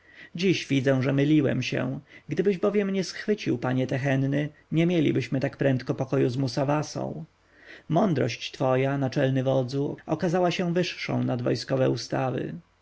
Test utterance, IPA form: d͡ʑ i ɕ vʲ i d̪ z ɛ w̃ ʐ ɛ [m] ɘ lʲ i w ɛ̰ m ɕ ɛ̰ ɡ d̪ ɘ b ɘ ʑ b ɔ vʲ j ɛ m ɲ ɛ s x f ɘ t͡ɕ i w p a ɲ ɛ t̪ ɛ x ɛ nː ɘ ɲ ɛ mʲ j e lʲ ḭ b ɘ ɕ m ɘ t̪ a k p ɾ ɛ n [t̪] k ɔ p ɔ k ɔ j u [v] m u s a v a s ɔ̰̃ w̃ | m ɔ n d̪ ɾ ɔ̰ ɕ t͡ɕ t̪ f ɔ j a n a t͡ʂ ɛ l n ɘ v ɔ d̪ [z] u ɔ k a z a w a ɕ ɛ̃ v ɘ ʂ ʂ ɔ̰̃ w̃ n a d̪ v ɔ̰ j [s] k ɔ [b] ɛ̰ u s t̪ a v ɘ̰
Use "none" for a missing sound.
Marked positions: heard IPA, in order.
m, t̪, z, z, s, v

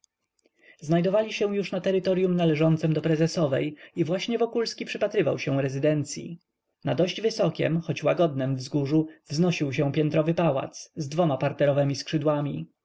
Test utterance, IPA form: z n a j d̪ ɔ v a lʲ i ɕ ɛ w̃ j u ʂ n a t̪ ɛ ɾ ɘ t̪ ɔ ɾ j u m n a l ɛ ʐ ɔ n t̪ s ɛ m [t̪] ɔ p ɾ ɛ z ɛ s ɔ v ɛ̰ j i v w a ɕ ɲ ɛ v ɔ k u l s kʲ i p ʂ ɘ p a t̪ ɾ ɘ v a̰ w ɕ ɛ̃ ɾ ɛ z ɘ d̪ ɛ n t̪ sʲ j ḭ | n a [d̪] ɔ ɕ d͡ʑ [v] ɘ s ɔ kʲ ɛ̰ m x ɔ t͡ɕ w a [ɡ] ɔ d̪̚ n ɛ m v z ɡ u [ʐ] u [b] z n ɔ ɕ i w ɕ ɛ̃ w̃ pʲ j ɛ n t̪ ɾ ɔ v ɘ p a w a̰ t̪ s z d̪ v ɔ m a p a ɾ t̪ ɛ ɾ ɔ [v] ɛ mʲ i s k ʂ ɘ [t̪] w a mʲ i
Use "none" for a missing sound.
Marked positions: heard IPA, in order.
d̪, d̪, v, ɡ, ʐ, v, v, d̪

